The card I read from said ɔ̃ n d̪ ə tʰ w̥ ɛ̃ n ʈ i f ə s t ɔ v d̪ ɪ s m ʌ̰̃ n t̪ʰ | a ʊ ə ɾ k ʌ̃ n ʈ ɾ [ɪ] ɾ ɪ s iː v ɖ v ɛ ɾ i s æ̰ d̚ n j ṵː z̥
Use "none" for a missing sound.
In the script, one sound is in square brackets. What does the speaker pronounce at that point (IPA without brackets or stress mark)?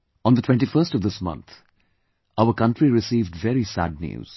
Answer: i